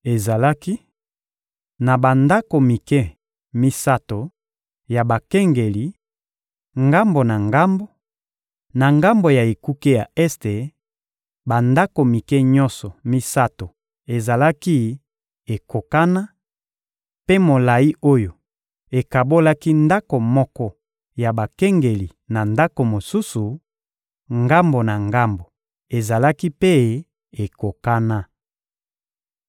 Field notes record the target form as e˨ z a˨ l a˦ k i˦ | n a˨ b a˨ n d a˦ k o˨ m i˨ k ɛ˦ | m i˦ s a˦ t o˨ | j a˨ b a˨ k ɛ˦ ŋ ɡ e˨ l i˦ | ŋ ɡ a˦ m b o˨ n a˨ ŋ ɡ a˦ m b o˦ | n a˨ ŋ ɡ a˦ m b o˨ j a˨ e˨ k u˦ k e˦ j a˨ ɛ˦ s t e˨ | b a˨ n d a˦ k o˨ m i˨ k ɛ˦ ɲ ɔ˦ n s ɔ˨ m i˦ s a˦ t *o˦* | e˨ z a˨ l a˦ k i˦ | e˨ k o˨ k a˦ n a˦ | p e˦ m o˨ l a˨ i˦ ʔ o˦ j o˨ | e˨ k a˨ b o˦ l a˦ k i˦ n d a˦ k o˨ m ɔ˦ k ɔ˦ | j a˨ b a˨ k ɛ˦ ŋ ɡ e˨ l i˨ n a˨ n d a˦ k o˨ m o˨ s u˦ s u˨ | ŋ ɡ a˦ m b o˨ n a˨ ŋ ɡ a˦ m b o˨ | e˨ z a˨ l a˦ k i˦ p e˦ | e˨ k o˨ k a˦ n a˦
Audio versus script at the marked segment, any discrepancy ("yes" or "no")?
yes